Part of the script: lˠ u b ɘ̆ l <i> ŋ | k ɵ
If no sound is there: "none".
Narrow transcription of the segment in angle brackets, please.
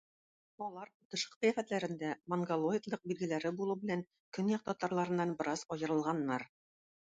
æ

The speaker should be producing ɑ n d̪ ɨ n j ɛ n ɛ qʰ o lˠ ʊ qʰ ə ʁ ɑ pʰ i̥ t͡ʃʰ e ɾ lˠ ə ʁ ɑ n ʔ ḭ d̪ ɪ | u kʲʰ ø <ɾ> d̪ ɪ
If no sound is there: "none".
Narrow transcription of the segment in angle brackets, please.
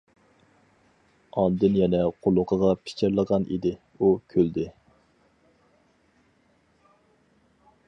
l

